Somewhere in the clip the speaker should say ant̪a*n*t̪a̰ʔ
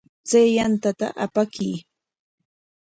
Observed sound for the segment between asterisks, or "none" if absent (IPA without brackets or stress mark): none